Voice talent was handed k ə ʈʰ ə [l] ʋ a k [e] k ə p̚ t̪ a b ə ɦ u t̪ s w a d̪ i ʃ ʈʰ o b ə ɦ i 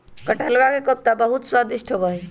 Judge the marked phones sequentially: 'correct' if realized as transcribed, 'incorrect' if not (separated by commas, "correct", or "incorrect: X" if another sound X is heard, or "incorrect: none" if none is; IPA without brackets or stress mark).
correct, correct